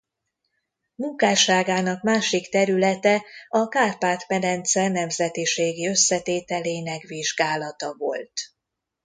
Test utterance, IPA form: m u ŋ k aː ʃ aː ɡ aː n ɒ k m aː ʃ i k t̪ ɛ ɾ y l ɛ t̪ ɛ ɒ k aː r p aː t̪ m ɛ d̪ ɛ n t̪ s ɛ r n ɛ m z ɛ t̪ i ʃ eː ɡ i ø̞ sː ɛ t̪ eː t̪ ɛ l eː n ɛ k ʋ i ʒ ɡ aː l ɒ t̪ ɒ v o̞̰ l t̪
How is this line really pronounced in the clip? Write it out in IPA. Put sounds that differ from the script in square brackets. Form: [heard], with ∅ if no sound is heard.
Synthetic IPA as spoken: m u ŋ k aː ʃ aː ɡ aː n ɒ k m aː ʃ i k t̪ ɛ ɾ y l ɛ t̪ ɛ ɒ k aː r p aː t̪ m ɛ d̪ ɛ n t̪ s ɛ r n ɛ m z ɛ t̪ i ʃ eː ɡ i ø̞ sː ɛ t̪ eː t̪ ɛ l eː n ɛ k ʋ i ʒ ɡ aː l ɒ t̪ ɒ v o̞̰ l t̪